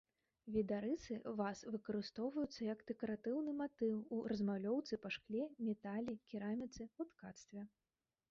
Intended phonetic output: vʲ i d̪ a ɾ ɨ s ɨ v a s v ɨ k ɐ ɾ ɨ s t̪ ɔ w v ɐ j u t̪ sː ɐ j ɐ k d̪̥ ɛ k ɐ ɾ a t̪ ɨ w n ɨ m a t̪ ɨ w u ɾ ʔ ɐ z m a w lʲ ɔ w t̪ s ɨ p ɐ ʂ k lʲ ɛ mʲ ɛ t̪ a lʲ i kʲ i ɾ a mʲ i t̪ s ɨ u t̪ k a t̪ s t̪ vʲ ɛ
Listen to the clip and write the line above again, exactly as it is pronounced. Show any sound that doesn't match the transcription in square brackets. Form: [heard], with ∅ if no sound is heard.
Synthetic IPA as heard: vʲ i d̪ a ɾ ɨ s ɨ v a s v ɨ k ɐ ɾ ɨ s t̪ ɔ w v ɐ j u t̪ sː ɐ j ɐ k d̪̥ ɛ k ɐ ɾ a t̪ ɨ w n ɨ m a t̪ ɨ w u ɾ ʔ ɐ z m a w lʲ ɔ w t̪ s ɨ p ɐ ʂ k lʲ ɛ mʲ ɛ t̪ a lʲ i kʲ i ɾ a mʲ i t̪ s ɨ u t̪ k a t̪ s t̪ vʲ ɛ